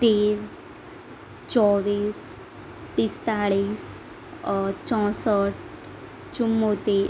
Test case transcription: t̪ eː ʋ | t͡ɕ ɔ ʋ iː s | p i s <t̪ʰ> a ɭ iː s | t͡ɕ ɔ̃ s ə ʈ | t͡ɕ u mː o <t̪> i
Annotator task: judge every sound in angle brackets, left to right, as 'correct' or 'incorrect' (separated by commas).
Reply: incorrect, correct